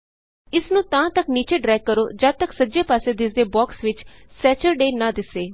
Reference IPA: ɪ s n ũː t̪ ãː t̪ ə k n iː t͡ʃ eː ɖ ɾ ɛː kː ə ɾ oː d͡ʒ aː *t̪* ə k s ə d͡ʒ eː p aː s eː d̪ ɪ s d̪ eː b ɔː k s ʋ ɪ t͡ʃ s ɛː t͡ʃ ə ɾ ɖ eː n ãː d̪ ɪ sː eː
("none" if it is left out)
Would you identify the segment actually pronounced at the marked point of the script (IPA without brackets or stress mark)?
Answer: t̪